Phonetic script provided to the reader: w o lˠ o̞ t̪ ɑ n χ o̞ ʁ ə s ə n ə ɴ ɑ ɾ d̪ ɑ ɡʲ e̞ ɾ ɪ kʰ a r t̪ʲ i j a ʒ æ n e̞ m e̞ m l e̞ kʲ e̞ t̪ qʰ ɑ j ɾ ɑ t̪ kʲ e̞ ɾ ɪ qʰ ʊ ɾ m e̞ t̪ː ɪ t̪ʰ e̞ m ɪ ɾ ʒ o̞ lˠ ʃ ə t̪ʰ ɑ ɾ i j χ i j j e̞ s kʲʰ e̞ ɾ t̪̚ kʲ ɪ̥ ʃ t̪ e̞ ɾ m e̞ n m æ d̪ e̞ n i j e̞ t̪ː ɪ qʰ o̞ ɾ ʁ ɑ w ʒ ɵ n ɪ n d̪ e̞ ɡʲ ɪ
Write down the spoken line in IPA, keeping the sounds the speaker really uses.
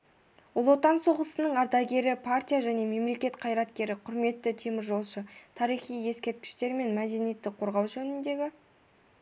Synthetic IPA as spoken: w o lˠ o̞ t̪ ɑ n s o̞ ʁ ə s ə n ə ɴ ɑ ɾ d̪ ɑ ɡʲ e̞ ɾ ɪ pʰ a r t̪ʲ i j a ʒ æ n e̞ m e̞ m l e̞ kʲ e̞ t̪ qʰ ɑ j ɾ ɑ t̪ kʲ e̞ ɾ ɪ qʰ ʊ ɾ m e̞ t̪ː ɪ t̪ʰ e̞ m ɪ ɾ ʒ o̞ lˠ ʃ ə t̪ʰ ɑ ɾ i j χ i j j e̞ s kʲ e̞ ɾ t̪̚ kʲ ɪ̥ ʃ t̪ e̞ ɾ m e̞ n m æ d̪ e̞ n i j e̞ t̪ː ɪ qʰ o̞ ɾ ʁ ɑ w ʒ ɵ n ɪ n d̪ e̞ ɡʲ ɪ